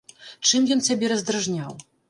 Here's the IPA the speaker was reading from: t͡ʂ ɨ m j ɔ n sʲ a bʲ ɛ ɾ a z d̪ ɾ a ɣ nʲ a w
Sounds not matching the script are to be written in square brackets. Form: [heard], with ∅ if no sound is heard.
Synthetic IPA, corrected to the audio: t͡ʂ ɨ m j ɔ n sʲ a bʲ ɛ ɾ [ɐ] z d̪ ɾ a [ʐ] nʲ a w